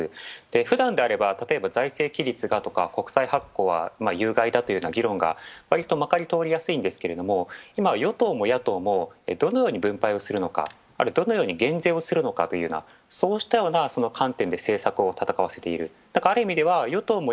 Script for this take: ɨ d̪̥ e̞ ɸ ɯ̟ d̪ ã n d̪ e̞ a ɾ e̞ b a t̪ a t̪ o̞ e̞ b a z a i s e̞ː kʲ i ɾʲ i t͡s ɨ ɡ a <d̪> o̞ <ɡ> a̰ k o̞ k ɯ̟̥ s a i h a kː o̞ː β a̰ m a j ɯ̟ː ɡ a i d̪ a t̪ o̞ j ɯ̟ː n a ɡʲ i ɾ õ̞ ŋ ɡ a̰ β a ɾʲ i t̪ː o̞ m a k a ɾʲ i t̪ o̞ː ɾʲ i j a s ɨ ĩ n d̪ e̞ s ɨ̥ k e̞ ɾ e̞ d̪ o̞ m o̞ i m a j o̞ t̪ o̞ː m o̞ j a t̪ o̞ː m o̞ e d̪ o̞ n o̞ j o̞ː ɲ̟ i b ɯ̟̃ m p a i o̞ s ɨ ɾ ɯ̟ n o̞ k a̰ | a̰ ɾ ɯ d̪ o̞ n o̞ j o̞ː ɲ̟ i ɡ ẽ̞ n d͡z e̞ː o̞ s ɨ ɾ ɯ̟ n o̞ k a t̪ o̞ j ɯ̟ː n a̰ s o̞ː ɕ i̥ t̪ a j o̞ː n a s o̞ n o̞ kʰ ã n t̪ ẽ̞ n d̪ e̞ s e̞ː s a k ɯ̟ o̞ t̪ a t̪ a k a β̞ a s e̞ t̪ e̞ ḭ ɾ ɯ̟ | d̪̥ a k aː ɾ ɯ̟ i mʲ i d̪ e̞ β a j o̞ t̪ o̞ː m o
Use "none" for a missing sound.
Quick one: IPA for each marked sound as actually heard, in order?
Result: t̪, k

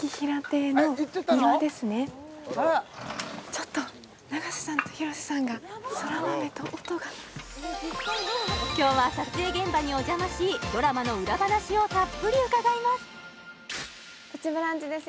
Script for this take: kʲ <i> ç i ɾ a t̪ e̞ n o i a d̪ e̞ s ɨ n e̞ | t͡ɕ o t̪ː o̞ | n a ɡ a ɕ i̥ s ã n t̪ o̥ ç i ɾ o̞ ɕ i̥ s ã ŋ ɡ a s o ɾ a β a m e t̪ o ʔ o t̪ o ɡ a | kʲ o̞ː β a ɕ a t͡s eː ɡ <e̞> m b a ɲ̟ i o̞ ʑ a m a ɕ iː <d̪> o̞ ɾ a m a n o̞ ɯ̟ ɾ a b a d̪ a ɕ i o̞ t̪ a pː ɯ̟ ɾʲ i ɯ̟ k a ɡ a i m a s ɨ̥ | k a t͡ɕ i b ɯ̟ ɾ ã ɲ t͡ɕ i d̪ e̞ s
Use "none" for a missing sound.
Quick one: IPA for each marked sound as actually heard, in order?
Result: i, ẽ̞, d̪

